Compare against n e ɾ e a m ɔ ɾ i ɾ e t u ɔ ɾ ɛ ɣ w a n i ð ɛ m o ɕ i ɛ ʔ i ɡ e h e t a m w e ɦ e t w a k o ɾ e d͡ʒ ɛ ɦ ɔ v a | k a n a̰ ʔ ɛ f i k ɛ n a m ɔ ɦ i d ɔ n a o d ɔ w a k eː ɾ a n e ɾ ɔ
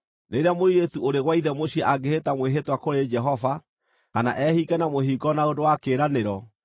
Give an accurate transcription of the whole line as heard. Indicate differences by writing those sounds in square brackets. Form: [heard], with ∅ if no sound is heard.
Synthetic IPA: n e ɾ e a m [o] ɾ i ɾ e t u [o] ɾ [e] ɣ w a [∅] i ð ɛ m o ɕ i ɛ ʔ [a] ɡ e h e t a m w e ɦ e t w a k o ɾ e d͡ʒ ɛ ɦ ɔ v a | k a n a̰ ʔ ɛ [h] i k ɛ n a m [o] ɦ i [ɡ] ɔ n a o d [o] w a k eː ɾ a n e ɾ ɔ